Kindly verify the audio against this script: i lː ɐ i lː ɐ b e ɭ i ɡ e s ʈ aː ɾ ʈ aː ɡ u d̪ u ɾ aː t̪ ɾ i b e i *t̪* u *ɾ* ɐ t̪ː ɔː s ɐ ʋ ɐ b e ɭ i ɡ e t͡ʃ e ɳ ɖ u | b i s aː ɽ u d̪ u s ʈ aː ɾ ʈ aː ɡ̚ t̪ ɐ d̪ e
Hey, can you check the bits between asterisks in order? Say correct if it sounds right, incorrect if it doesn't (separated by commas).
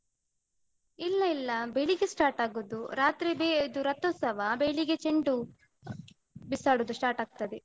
incorrect, correct